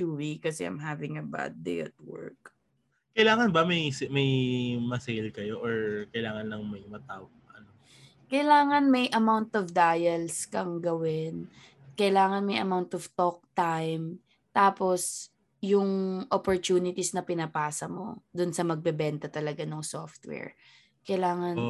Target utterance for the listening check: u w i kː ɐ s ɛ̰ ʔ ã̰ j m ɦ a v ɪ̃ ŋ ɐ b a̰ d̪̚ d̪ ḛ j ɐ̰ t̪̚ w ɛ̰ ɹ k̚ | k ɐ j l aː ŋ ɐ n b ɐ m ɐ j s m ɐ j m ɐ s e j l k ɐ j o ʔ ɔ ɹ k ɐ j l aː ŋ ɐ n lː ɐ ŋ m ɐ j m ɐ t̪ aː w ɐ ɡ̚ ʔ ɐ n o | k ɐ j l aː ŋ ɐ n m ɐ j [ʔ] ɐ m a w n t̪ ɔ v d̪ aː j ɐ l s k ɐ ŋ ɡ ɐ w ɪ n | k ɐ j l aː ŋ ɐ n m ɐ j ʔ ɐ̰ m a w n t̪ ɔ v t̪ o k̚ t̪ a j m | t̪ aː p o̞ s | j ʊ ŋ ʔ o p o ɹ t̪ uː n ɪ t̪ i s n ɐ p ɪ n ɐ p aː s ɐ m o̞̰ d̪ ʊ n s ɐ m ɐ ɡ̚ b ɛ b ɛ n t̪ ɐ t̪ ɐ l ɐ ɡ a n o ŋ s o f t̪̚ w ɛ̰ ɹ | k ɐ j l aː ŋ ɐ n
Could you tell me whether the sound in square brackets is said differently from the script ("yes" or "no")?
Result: no